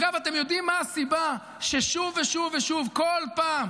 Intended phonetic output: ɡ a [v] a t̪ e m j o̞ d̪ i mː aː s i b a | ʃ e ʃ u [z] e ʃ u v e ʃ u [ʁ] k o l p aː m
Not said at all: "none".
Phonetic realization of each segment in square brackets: v, v, v

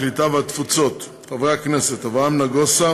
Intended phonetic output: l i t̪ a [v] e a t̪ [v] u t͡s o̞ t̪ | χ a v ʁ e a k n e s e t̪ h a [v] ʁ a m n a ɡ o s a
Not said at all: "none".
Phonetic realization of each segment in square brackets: v, f, v

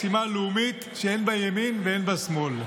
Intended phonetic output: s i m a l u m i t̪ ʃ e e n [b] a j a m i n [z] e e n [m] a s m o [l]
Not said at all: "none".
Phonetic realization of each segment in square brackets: b, v, b, l

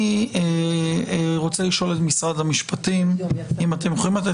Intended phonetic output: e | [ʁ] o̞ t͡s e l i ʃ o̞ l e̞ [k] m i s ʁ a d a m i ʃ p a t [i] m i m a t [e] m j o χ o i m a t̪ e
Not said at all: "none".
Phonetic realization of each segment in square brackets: ʁ, t, i, e

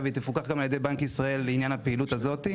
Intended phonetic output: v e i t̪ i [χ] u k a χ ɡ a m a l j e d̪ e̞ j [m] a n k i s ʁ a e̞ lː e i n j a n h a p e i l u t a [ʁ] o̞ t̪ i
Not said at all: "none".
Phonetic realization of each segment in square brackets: f, b, z

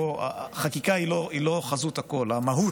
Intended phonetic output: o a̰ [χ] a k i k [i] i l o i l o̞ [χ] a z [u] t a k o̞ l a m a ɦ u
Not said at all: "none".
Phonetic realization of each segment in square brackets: χ, a, χ, u

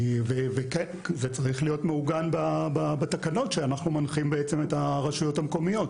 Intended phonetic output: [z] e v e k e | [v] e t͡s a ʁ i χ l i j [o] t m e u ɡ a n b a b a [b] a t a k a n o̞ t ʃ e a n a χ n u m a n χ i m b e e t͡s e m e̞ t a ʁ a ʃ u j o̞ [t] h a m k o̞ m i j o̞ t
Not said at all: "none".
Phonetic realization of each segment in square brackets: v, z, o, b, t

